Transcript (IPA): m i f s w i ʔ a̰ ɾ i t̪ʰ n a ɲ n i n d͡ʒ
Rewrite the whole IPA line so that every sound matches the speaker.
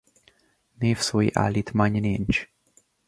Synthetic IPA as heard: n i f s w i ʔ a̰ l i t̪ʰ m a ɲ n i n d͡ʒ